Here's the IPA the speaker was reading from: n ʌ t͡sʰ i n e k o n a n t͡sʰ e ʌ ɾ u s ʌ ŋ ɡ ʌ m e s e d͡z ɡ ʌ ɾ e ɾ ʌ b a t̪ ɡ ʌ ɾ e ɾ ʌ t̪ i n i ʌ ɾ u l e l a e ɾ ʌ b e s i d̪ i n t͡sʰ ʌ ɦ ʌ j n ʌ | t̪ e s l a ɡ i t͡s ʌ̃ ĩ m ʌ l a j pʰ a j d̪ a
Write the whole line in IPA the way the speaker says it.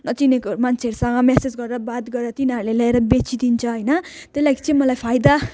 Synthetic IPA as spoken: n ʌ t͡s i n e k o m a n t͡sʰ e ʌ ɾ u s ʌ ŋ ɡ ʌ m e s e d͡z ɡ ʌ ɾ e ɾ ʌ b a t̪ ɡ ʌ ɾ e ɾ ʌ t̪ i n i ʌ ɾ u l e l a e ɾ ʌ b e t͡s i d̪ i n t͡sʰ ʌ ɦ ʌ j n ʌ | t̪ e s l a ɡ i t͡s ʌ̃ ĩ m ʌ l a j pʰ a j d̪ a